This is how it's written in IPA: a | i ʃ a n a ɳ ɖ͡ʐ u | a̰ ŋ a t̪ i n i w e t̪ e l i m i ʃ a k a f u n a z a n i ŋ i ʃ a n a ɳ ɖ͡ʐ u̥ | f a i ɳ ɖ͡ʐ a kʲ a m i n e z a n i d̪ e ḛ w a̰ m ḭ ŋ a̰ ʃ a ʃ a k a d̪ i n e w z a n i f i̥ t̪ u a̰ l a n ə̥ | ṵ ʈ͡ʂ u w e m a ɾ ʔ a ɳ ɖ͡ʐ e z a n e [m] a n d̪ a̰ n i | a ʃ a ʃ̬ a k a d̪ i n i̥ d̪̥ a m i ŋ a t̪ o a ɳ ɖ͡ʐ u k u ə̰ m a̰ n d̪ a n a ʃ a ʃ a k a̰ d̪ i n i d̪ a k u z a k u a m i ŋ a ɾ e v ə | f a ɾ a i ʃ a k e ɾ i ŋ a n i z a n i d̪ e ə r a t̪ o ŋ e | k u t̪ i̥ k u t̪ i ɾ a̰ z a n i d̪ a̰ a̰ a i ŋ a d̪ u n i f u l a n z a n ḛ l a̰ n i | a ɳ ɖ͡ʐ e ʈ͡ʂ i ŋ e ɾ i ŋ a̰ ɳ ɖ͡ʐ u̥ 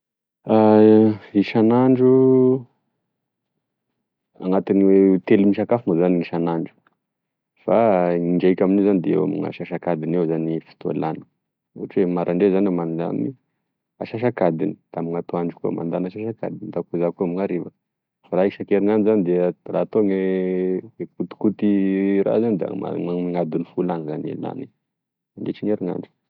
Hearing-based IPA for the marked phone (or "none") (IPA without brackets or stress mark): m